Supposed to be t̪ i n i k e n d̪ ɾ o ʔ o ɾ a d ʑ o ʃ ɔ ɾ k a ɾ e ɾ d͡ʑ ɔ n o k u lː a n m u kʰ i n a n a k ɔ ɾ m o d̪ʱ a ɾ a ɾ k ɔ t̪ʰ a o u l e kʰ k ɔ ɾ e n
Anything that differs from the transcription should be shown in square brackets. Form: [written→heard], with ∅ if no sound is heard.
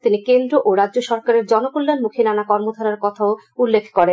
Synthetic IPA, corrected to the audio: t̪ i n i k e n d̪ ɾ o ʔ o ɾ a d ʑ o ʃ ɔ ɾ k a ɾ e ɾ d͡ʑ ɔ n o k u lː a n m u kʰ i n a n a k ɔ ɾ m o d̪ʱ a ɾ a ɾ k ɔ t̪ʰ a o u [l→lː] e kʰ k ɔ ɾ e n